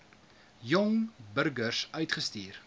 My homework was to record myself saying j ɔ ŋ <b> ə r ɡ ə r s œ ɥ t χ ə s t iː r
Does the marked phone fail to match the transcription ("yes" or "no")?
no